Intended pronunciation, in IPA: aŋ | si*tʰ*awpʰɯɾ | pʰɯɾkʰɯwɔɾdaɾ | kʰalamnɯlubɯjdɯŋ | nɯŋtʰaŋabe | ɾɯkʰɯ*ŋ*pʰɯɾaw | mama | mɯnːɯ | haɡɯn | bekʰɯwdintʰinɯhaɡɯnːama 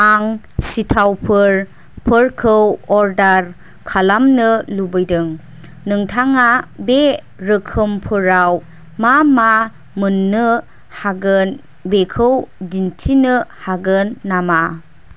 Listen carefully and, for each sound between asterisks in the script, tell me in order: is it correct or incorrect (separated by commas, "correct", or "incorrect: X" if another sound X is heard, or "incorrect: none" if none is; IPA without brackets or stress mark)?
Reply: correct, incorrect: m